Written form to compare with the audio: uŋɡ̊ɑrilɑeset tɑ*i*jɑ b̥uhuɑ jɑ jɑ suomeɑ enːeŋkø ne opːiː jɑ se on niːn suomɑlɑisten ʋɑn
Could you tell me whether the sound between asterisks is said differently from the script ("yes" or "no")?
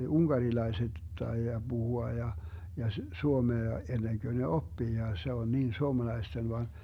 no